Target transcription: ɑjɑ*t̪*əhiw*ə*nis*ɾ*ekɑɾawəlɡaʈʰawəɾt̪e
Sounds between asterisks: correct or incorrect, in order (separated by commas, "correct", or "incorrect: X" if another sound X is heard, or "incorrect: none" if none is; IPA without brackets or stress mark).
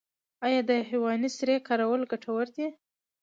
incorrect: d̪, incorrect: ɑ, correct